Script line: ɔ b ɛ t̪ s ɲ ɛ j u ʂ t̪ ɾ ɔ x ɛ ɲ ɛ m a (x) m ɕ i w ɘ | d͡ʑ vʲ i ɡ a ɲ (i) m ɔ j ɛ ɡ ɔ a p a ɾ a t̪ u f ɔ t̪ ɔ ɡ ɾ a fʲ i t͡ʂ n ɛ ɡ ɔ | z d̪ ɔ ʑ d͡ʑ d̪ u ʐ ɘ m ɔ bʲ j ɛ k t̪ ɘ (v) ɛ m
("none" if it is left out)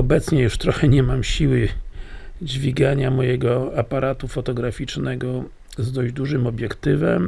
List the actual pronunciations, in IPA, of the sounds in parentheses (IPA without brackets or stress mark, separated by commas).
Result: none, a, v